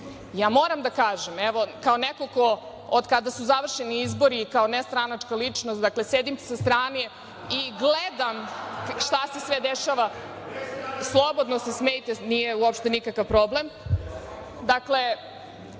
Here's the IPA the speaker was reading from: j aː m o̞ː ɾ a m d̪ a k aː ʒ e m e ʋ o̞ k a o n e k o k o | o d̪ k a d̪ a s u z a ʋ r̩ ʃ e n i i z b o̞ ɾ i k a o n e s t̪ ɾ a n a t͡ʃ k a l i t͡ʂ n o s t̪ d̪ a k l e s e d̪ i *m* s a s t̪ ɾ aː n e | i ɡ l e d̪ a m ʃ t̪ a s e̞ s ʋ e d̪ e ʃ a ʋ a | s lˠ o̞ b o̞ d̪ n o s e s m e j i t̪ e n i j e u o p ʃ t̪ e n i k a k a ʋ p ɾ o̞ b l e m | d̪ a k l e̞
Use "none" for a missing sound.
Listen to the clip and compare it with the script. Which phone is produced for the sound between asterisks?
m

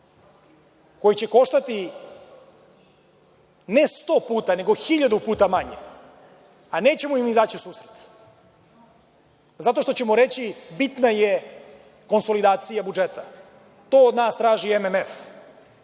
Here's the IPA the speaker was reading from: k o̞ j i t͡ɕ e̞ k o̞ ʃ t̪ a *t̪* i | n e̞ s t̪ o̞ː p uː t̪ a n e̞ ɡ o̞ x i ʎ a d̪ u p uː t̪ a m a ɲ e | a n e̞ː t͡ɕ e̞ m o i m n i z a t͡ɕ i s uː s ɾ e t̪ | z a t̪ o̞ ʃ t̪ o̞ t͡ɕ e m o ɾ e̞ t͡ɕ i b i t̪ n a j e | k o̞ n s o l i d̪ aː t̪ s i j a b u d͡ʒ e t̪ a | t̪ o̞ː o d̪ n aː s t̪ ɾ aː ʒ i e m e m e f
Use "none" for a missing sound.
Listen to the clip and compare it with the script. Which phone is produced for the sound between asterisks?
t̪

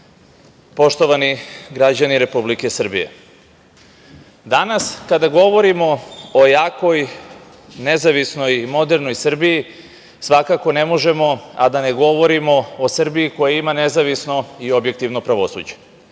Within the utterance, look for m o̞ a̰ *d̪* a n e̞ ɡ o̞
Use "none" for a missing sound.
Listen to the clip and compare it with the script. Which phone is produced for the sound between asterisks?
d̪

